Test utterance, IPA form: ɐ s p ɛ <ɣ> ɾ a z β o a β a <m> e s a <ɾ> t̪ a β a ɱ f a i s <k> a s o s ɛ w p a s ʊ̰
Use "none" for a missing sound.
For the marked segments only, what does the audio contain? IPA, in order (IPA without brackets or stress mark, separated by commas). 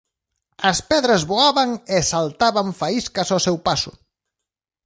ð, ŋ, l, k